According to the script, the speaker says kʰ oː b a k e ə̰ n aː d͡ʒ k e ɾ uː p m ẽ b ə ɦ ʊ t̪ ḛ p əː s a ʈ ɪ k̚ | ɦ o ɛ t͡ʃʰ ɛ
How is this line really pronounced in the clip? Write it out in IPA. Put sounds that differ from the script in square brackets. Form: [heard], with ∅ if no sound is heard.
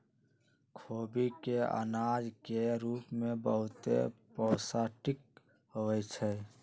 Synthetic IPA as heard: kʰ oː b [i] k e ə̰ n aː d͡ʒ k e ɾ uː p m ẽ b ə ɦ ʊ t̪ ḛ p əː s a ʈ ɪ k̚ | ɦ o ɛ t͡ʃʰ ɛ